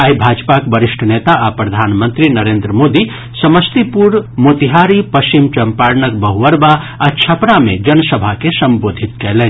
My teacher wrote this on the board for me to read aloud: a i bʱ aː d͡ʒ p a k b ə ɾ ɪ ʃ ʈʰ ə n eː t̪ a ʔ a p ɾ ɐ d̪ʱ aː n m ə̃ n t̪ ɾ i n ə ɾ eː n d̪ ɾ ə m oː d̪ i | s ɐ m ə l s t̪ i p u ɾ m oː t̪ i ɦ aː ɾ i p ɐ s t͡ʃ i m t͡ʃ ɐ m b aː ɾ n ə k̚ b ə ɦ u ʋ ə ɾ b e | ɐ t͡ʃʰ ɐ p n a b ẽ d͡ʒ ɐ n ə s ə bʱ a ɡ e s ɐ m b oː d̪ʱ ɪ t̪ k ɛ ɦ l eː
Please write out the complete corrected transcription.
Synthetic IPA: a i bʱ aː d͡ʒ p a k b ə ɾ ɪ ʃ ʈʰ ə n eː t̪ a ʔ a p ɾ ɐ d̪ʱ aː n m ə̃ n t̪ ɾ i n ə ɾ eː n d̪ ɾ ə m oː d̪ i | s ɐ m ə s t̪ i p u ɾ m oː t̪ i ɦ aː ɾ i p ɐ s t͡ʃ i m t͡ʃ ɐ m p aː ɾ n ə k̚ b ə ɦ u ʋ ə ɾ b a | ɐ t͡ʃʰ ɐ p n a m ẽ d͡ʒ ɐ n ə s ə bʱ a k e s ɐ m b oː d̪ʱ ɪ t̪ k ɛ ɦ l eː

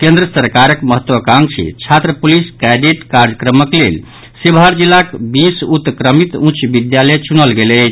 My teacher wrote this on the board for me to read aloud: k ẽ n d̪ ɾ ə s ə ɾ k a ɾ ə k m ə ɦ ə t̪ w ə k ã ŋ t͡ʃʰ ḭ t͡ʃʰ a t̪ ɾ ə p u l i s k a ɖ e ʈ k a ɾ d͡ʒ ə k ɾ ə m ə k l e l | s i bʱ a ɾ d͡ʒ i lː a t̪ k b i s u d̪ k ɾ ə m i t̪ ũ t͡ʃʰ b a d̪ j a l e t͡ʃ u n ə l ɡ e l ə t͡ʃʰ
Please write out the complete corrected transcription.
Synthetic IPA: k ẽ n d̪ ɾ ə s ə ɾ k a ɾ ə k m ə ɦ ə t̪ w ə k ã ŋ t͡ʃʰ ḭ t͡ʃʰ a t̪ ɾ ə p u l i s k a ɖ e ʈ k a ɾ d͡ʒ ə k ɾ ə m ə k l e l | s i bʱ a ɾ d͡ʒ i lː a k b i s u t̪ k ɾ ə m i t̪ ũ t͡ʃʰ b i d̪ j a l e t͡ʃ u n ə l ɡ e l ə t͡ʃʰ

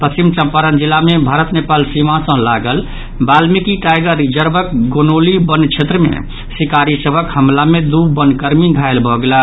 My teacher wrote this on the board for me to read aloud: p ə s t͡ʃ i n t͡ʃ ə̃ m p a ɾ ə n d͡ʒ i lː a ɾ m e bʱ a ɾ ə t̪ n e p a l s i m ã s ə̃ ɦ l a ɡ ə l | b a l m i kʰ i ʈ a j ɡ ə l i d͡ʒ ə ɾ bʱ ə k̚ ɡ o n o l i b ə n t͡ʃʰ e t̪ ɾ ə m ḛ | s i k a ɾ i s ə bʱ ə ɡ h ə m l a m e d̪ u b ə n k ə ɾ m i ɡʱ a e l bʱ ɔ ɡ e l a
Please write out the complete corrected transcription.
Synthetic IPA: p ə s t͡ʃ i m t͡ʃ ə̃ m p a ɾ ə n d͡ʒ i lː a m e bʱ a ɾ ə t̪ n e p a l s i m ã s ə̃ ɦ l a ɡ ə l | b a l m i k i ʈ a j ɡ ə ɾ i d͡ʒ ə ɾ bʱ ə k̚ ɡ o n o l i b ə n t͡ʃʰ e t̪ ɾ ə m ḛ | s i k a ɾ i s ə bʱ ə k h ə m l a m e d̪ u b ə n k ə ɾ m i ɡʱ a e l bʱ ɔ ɡ e l a

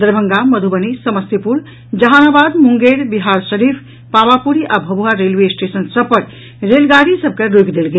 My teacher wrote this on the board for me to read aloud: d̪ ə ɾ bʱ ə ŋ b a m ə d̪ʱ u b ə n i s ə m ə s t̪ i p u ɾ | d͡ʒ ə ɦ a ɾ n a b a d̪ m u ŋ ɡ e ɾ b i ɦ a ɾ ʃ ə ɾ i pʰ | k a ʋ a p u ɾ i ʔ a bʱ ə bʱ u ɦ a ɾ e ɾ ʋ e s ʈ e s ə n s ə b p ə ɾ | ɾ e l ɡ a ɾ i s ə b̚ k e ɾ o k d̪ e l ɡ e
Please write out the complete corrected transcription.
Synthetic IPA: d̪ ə ɾ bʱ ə ŋ ɡ a m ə d̪ʱ u b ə n i s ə m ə s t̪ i p u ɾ | d͡ʒ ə ɦ a n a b a d̪ m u ŋ ɡ e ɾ b i ɦ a ɾ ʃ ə ɾ i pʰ | p a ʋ a p u ɾ i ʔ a bʱ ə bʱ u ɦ a ɾ e l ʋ e s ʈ e s ə n s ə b p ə ɾ | ɾ e l ɡ a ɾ i s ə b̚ k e ɾ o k d̪ e l ɡ e

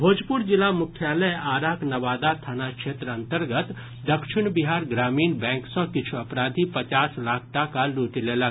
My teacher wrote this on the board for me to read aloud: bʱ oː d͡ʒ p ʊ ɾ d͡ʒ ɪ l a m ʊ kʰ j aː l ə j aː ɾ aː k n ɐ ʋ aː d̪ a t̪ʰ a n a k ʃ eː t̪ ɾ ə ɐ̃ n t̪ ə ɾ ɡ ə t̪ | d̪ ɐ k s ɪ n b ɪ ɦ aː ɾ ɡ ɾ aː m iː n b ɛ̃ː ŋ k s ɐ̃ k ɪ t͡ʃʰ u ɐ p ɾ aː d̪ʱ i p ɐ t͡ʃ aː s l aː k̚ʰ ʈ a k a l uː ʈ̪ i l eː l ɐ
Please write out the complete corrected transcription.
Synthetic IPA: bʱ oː d͡ʒ p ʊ ɾ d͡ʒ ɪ l a m ʊ kʰ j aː l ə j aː ɾ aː k n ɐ ʋ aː d̪ a t̪ʰ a n a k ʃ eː t̪ ɾ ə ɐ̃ n t̪ ə ɾ ɡ ə t̪ | d̪ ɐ k ʃ ɪ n b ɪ ɦ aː ɾ ɡ ɾ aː m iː n b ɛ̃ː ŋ k s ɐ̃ k ɪ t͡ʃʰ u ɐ p ɾ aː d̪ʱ i p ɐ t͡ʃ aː s l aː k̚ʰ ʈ a k a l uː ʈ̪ i l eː l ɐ

